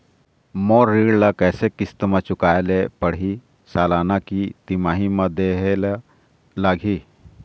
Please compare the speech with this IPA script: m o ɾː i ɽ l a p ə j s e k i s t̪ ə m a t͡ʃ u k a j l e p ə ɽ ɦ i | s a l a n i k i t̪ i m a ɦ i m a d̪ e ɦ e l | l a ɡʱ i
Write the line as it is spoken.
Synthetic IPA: m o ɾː i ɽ l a k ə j s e k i s t̪ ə m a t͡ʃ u k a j l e p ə ɽ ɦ i | s a l a n a k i t̪ i m a ɦ i m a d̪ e ɦ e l | l a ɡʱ i